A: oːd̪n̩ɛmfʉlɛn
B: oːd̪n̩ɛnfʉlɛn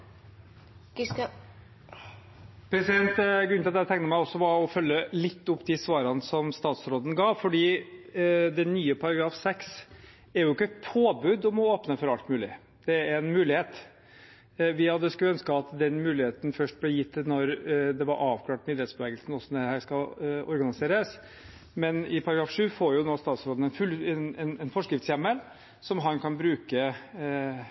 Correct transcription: B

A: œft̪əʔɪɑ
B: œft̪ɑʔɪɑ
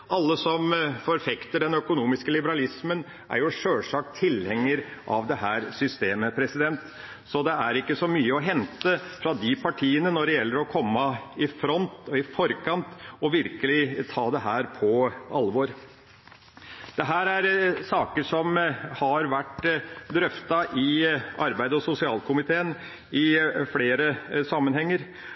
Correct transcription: B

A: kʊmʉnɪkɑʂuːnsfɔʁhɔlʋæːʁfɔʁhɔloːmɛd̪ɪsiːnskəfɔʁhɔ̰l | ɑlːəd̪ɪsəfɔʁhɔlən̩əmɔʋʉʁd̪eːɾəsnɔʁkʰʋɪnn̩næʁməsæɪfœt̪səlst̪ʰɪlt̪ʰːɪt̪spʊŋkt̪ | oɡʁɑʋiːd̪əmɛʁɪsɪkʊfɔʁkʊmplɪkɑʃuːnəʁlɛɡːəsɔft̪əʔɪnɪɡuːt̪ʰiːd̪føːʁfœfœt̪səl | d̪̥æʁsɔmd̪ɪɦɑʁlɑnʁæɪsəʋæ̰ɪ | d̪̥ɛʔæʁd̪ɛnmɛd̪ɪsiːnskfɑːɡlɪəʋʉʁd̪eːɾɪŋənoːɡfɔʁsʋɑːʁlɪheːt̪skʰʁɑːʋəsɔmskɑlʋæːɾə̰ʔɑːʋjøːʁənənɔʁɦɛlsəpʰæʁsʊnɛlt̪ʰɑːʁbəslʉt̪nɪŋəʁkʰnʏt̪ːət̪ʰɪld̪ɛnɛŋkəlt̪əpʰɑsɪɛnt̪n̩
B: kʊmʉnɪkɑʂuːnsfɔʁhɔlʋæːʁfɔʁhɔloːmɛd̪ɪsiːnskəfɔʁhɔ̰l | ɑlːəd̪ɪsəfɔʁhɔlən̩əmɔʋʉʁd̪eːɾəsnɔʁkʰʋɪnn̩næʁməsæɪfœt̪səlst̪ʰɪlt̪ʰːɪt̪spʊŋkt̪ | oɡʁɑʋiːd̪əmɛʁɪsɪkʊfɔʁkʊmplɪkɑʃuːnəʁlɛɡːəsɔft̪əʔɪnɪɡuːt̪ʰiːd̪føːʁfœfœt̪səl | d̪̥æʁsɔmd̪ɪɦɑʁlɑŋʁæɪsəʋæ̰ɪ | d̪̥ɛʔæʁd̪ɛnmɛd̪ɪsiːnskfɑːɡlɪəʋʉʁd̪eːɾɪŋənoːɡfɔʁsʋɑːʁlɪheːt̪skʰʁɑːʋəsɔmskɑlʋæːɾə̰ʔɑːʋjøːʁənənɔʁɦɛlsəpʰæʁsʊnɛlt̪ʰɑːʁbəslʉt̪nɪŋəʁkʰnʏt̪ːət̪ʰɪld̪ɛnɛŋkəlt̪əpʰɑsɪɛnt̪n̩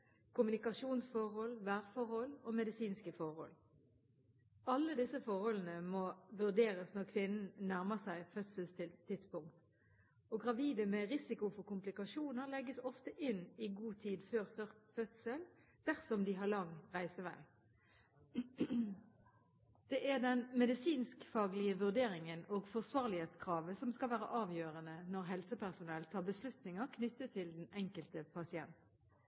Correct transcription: B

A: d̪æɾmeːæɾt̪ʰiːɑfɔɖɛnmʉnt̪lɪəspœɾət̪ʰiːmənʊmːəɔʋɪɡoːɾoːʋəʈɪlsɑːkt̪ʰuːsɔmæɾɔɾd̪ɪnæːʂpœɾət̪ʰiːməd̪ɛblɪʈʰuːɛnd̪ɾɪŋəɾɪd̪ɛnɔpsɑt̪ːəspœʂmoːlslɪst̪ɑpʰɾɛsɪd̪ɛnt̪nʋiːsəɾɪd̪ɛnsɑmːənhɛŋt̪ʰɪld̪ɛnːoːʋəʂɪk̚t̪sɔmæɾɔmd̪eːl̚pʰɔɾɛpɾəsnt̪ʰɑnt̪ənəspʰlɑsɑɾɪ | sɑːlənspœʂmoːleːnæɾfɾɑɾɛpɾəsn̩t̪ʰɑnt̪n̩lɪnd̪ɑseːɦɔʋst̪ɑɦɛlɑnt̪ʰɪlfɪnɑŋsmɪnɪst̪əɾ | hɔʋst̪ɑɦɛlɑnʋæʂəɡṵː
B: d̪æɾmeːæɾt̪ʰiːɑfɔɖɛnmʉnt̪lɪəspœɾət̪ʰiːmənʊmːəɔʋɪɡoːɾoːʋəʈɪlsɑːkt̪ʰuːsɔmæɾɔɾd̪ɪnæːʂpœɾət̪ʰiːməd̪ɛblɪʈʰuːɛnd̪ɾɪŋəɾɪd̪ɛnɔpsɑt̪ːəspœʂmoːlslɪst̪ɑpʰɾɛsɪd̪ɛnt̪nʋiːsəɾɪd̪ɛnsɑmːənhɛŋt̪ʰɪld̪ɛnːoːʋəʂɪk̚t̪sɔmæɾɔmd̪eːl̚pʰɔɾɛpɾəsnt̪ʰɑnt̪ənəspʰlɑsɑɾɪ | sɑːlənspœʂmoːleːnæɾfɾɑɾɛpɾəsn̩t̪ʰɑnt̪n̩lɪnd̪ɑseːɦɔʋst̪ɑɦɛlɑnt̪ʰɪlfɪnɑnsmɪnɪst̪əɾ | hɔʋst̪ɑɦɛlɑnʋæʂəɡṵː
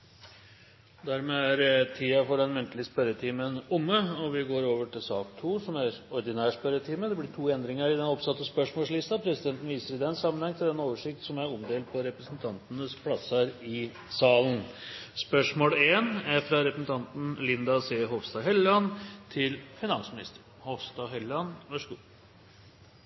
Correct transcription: B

